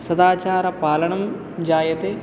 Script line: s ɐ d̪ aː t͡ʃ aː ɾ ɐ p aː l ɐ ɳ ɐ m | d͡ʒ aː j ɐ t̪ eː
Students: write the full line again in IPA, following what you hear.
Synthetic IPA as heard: s ɐ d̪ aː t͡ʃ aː ɾ ɐ p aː l ɐ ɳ ɐ m | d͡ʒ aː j ɐ t̪ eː